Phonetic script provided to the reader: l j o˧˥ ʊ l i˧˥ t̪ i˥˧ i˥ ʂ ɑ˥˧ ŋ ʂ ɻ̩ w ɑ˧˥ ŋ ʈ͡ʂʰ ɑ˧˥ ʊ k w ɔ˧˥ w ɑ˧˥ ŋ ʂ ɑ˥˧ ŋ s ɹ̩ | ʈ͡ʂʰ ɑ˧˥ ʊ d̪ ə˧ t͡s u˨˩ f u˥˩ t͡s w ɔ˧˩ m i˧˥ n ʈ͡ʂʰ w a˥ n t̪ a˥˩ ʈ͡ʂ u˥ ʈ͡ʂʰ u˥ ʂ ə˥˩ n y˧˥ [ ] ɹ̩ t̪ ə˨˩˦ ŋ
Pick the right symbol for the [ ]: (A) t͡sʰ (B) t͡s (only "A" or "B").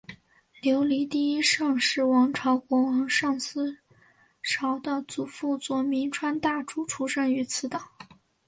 A